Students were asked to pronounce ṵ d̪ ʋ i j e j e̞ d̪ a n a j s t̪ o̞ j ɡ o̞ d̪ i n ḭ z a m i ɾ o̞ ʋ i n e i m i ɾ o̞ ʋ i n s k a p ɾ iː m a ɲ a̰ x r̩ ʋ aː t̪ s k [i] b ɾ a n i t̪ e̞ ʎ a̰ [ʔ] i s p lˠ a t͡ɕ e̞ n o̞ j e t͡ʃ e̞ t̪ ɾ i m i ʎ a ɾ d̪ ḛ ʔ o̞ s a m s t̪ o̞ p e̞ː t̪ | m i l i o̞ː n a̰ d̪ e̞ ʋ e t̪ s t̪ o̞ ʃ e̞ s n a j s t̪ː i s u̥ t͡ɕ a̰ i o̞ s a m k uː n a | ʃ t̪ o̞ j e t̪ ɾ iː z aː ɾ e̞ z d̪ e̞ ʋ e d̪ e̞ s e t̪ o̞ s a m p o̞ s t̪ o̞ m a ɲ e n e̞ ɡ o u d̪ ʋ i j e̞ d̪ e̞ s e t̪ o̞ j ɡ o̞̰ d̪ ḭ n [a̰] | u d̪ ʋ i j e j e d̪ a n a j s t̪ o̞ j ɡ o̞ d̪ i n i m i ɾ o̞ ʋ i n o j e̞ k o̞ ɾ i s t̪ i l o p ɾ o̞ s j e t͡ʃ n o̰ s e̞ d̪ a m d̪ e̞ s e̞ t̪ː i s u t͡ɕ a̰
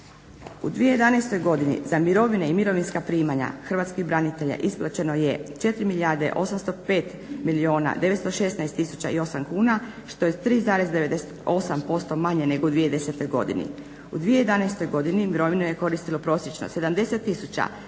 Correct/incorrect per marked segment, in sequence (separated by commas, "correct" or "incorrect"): correct, correct, incorrect